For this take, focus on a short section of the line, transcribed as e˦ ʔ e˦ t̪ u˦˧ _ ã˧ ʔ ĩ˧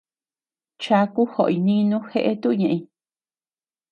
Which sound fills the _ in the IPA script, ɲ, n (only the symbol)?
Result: ɲ